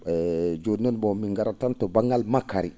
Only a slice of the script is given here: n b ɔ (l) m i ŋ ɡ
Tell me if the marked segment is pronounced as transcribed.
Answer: no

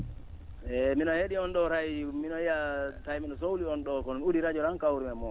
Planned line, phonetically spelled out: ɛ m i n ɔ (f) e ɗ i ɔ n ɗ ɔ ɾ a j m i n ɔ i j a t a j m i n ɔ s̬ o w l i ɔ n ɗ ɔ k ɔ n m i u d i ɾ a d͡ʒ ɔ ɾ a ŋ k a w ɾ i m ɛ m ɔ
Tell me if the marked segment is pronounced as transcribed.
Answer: no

